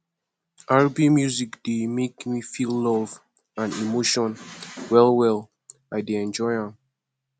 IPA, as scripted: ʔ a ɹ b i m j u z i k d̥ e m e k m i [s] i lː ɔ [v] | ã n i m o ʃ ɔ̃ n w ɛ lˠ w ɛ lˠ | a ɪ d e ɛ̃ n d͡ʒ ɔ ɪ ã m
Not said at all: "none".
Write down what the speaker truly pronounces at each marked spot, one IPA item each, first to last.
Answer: f, v

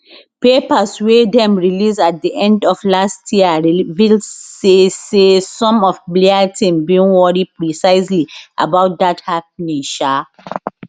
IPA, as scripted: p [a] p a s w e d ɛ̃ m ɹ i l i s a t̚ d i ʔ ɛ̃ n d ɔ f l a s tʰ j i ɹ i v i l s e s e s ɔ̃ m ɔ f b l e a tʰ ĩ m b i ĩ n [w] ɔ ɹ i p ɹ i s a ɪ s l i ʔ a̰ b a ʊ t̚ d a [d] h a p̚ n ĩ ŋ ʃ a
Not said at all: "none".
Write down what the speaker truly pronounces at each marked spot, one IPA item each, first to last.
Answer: e, w, t

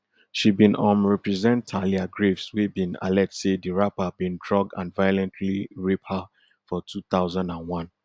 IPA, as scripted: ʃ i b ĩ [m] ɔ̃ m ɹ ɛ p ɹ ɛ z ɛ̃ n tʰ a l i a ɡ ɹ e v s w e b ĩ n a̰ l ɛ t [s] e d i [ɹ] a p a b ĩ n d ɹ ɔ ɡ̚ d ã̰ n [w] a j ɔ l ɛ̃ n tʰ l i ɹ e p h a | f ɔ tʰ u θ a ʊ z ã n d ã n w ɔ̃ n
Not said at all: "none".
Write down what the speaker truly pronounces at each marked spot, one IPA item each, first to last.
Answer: n, s, ɹ, v

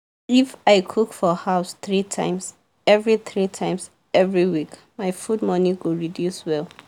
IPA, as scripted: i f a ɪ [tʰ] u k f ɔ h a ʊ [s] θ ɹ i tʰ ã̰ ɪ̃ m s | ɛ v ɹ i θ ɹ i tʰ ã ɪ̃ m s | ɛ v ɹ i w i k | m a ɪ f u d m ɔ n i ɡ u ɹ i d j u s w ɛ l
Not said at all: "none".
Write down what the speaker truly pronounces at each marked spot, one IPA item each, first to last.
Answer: kʰ, s

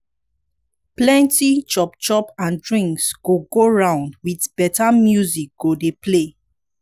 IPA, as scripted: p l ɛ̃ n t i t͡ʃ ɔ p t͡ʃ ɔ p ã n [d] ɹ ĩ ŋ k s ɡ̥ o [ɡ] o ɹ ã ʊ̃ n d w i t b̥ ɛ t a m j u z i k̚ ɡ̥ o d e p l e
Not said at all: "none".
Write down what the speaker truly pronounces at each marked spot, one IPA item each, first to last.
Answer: d, ɡ

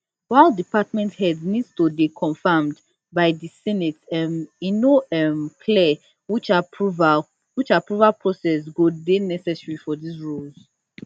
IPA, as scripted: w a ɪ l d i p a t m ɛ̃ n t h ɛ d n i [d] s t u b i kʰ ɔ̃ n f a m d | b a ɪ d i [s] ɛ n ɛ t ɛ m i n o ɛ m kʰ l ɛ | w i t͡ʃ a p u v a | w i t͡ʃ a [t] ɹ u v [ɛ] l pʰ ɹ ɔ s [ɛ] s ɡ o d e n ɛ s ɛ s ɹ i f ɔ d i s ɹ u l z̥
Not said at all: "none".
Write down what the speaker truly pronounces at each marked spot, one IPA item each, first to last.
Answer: d, s, p, a, ɛ

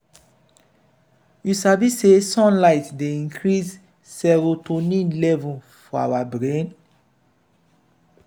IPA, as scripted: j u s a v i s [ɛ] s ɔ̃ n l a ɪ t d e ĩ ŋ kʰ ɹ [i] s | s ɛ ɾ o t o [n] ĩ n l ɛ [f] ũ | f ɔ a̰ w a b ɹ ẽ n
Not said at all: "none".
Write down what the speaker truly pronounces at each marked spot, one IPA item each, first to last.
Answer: e, i, n, v

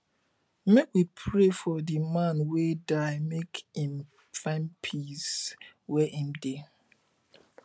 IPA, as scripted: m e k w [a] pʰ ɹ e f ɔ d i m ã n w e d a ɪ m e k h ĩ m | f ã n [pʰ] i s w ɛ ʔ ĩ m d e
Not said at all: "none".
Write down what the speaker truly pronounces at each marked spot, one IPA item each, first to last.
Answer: i, pʰ

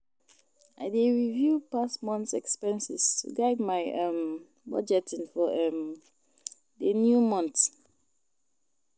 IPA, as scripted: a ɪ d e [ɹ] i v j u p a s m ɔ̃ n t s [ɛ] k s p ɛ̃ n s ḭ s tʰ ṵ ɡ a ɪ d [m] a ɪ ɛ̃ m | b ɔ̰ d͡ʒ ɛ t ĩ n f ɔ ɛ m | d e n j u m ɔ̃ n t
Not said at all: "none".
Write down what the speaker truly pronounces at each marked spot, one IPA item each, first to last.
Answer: ɹ, ɛ, m

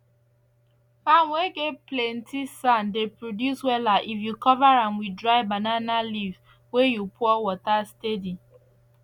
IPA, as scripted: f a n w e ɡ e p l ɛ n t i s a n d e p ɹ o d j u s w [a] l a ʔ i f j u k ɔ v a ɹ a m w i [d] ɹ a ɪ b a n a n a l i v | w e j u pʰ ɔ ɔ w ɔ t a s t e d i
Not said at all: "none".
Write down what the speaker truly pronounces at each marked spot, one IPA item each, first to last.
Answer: ɛ, d

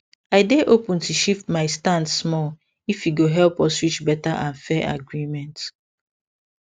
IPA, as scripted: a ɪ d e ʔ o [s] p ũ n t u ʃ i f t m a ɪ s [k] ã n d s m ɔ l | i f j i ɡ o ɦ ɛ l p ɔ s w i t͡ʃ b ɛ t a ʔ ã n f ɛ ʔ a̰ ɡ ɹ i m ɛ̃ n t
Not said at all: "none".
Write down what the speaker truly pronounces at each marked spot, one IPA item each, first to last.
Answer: none, t

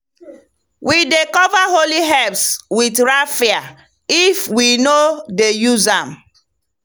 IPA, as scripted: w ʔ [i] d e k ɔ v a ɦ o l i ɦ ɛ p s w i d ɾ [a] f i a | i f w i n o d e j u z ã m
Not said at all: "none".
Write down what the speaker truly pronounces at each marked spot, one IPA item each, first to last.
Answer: i, a

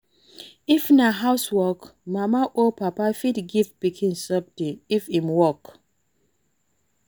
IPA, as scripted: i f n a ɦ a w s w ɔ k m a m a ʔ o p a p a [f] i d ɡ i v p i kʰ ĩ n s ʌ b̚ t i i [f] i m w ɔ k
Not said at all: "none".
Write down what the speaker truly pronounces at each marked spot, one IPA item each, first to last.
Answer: f, f

